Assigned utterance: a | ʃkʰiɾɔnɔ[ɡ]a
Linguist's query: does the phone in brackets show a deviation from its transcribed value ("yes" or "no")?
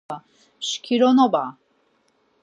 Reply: yes